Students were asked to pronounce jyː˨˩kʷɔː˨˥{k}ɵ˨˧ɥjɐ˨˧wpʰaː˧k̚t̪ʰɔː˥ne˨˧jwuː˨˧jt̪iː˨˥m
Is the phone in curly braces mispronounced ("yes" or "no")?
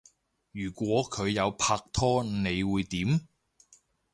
yes